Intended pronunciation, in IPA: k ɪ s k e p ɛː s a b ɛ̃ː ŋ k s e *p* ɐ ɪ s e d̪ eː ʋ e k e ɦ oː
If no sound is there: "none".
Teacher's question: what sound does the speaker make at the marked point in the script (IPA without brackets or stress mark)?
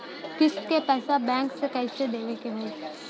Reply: k